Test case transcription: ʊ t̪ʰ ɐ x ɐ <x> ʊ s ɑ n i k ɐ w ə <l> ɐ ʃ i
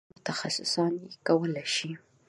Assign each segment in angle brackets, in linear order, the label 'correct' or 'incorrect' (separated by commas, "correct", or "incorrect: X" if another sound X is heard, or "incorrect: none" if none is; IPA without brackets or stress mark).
incorrect: s, correct